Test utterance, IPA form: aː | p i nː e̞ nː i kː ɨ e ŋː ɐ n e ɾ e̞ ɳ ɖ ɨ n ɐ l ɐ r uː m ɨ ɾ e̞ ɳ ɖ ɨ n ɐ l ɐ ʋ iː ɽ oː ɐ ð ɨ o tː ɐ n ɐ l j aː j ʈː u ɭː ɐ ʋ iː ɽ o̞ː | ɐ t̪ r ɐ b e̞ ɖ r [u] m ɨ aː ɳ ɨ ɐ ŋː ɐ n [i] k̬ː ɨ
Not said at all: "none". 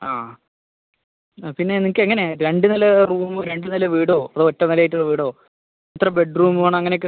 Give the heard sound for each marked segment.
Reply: uː, e

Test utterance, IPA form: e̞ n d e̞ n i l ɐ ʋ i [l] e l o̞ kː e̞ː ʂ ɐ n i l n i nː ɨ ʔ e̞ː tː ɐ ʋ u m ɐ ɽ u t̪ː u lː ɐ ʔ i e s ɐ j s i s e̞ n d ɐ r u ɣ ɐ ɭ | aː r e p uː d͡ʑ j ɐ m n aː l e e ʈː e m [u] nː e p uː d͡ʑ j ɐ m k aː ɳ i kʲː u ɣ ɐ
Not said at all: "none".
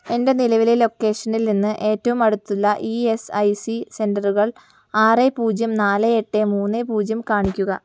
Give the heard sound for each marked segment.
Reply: l, uː

